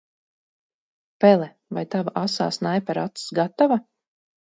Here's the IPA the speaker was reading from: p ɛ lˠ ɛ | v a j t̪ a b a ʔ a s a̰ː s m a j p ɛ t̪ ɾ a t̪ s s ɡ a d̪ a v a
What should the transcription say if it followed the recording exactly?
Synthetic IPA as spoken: p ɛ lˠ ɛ | v a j t̪ a v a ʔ a s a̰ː s n a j p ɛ ɾ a t̪ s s ɡ a t̪ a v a